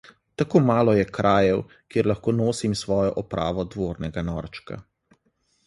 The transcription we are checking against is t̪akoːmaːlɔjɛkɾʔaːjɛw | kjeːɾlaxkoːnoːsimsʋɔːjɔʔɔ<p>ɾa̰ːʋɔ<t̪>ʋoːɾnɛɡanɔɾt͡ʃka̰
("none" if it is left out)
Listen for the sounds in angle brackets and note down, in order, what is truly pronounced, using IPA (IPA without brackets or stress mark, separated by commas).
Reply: p, d̪